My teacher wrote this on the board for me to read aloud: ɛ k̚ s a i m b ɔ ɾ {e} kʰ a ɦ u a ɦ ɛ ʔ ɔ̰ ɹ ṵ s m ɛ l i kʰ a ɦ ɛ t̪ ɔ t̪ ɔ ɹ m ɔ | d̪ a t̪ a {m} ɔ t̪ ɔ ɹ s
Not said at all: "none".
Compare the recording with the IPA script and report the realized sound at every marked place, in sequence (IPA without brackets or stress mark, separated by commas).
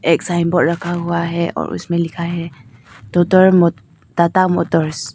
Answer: a, m